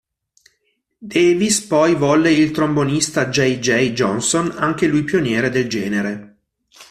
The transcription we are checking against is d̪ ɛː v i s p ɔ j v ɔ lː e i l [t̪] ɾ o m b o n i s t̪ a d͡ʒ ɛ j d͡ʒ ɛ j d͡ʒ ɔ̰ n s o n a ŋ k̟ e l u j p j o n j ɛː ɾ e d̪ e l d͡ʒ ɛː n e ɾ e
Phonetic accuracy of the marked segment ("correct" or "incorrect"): correct